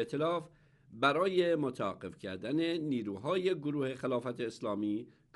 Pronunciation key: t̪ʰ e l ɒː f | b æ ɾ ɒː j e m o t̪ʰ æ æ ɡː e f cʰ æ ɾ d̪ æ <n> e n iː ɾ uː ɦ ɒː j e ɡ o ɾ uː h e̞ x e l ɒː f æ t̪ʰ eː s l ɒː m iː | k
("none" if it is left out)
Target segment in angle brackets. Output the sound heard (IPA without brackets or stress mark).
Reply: n